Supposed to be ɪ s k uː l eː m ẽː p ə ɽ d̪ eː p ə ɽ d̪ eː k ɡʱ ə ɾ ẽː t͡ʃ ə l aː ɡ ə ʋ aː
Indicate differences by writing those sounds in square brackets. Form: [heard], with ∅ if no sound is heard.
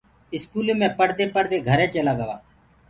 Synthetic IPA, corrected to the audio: ɪ s k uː l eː m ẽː p ə ɽ d̪ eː p ə ɽ d̪ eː [∅] ɡʱ ə ɾ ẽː t͡ʃ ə l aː ɡ ə ʋ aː